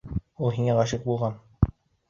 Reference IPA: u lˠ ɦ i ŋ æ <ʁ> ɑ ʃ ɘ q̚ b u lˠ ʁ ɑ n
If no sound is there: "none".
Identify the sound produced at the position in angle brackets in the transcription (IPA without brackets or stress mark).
ʁ